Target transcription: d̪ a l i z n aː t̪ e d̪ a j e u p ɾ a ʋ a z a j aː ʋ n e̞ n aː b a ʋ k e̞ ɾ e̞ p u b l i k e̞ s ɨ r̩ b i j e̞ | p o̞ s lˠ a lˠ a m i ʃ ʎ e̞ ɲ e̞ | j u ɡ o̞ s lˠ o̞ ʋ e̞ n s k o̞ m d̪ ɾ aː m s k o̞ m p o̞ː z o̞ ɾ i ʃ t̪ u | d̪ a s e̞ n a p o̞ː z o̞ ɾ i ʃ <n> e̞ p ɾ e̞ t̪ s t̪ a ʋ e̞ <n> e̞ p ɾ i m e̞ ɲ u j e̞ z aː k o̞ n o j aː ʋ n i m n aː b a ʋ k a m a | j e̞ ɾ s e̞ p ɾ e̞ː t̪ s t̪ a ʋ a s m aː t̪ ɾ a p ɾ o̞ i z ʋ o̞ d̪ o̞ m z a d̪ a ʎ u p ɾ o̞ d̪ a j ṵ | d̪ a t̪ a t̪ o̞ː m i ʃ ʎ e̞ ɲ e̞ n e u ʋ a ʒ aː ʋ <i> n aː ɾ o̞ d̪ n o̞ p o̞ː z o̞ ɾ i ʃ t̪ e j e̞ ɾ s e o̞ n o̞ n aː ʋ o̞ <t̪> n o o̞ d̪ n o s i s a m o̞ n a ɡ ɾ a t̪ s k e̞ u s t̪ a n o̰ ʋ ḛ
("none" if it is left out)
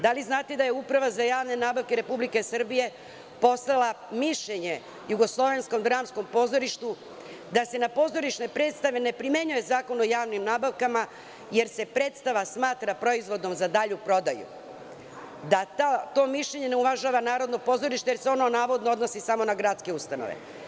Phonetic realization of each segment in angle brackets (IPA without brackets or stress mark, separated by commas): n, n, a, d̪